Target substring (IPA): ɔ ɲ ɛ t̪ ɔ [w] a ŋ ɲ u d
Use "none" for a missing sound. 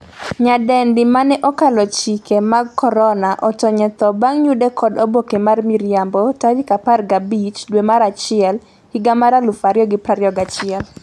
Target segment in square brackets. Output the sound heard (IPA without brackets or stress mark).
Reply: b